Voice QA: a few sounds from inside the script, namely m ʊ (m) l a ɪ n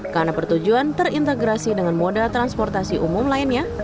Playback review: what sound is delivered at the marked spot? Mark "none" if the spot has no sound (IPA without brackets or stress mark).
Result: m